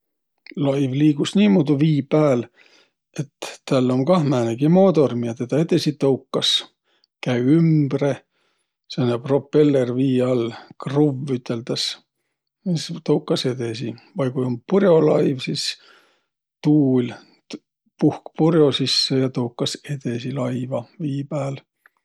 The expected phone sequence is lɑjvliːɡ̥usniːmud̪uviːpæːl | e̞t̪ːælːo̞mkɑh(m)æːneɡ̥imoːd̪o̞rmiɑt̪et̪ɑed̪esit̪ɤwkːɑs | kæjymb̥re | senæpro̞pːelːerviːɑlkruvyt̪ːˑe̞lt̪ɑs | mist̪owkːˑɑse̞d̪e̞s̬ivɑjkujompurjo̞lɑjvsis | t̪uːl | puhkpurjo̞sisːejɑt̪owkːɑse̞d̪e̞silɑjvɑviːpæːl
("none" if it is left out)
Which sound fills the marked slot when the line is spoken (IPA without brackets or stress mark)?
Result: m